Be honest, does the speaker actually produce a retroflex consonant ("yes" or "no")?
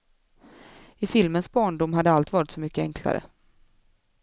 yes